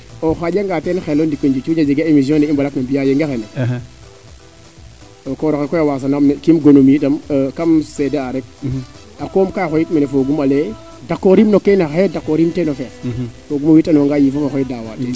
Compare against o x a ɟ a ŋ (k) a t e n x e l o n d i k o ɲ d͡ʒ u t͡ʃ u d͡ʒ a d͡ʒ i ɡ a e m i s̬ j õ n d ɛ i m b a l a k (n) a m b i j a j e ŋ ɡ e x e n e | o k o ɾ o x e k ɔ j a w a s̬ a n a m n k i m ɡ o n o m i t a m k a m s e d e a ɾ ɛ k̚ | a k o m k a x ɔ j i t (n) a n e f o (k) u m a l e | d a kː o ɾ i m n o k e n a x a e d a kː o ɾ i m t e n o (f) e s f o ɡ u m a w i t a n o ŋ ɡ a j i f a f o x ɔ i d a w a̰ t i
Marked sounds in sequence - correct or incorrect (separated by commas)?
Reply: incorrect, correct, incorrect, incorrect, correct